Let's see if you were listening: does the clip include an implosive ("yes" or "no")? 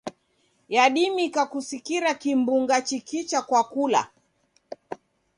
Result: yes